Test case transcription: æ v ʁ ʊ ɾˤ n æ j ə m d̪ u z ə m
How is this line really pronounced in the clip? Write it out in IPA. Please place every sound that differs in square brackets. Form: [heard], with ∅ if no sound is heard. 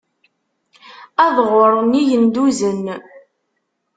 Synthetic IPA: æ [ð] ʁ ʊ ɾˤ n [i] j ə [n] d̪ u z ə [n]